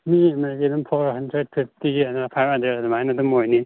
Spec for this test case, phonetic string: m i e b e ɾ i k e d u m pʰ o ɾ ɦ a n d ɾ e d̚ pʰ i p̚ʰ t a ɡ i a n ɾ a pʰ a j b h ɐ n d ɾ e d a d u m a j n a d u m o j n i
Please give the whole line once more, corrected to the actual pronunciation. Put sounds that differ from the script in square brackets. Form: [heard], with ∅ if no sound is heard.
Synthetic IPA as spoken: m i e [m] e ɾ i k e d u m pʰ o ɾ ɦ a n d ɾ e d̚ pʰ i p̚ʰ t [i] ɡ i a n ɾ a pʰ a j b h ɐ n d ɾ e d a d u m a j n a d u m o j n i